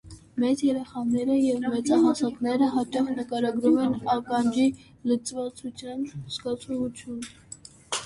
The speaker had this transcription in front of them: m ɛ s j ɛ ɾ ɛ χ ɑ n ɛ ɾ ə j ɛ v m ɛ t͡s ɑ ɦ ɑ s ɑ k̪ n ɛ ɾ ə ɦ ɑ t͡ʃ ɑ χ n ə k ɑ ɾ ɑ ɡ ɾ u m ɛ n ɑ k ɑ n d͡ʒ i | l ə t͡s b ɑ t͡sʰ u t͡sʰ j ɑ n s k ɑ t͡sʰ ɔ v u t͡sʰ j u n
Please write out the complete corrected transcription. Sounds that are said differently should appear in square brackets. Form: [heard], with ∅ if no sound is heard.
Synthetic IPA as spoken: m ɛ [t͡s] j ɛ ɾ ɛ χ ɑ n ɛ ɾ ə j ɛ v m ɛ t͡s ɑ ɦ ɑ s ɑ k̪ n ɛ ɾ ə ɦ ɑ t͡ʃ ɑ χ n ə k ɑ ɾ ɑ ɡ ɾ u m ɛ n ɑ k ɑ n d͡ʒ i | l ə t͡s [v] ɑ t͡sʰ u t͡sʰ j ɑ n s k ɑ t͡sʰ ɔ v u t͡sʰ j u n